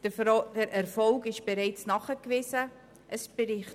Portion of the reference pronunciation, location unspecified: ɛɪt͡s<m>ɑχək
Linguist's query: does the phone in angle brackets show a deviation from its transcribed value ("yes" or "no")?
yes